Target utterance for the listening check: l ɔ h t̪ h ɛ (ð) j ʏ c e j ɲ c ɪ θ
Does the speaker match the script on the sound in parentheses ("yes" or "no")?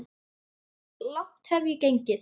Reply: no